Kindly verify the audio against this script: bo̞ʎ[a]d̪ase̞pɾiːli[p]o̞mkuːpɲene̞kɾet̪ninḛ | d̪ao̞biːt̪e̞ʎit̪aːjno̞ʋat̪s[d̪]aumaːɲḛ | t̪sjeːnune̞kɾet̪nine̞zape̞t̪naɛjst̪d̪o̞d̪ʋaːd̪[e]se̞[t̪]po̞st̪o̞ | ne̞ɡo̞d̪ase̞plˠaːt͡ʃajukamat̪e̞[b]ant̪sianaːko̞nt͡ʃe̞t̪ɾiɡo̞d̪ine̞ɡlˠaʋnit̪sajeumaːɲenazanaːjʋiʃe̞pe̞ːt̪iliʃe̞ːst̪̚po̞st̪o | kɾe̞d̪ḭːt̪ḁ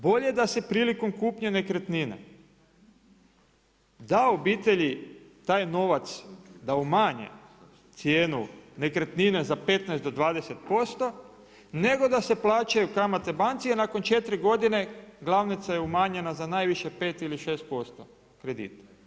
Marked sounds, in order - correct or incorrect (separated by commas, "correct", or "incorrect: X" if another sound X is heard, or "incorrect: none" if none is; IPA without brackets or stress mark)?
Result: incorrect: e, incorrect: k, correct, correct, correct, correct